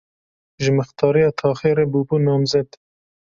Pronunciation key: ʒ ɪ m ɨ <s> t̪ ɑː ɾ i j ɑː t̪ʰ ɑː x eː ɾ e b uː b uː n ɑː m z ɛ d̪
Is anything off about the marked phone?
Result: yes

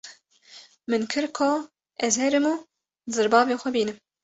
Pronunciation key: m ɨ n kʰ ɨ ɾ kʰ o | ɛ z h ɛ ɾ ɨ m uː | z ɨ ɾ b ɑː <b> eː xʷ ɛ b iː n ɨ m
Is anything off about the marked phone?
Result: yes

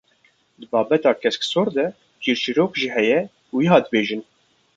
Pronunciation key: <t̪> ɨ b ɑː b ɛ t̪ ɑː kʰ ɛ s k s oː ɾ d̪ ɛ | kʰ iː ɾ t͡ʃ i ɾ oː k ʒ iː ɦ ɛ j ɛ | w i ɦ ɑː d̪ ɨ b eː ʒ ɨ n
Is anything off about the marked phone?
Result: yes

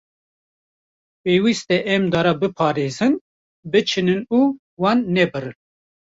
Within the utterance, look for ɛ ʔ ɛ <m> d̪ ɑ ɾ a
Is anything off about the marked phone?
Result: no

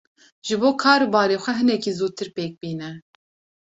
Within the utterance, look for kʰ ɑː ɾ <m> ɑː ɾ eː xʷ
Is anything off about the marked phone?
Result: yes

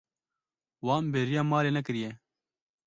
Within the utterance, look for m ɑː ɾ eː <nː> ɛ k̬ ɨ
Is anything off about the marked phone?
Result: yes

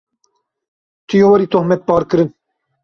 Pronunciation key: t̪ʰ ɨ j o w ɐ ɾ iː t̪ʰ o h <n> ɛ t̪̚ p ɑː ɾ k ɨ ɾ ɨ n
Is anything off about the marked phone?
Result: yes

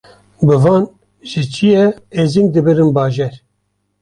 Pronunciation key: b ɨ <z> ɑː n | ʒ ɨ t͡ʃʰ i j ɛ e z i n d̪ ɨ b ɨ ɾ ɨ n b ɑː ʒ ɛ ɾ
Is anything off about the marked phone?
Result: yes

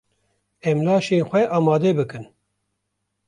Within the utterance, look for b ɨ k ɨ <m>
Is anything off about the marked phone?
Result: yes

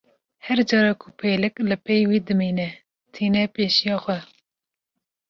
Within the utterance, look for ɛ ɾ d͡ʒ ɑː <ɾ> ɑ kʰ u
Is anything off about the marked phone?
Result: no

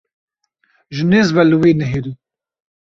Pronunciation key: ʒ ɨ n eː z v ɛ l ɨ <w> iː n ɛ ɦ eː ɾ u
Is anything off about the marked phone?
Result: no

